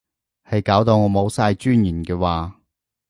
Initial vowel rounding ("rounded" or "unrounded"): unrounded